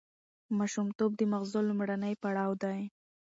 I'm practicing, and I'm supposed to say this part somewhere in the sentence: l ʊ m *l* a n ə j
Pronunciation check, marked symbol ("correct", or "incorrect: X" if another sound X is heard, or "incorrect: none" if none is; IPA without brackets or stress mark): incorrect: ɽ